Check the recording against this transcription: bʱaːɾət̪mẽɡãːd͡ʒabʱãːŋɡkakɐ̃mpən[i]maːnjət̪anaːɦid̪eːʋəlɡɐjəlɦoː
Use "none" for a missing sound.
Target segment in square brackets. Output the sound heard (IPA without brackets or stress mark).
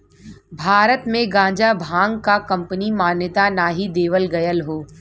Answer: i